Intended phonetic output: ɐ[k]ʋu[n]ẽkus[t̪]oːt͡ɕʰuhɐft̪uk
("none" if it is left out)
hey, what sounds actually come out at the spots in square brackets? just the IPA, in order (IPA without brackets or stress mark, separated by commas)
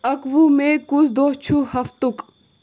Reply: k, m, d̪